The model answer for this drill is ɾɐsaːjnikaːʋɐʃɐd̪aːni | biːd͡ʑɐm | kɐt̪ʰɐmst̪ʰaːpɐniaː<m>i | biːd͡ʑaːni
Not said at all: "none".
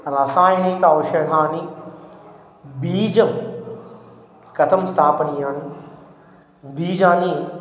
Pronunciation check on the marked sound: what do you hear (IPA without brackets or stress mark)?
n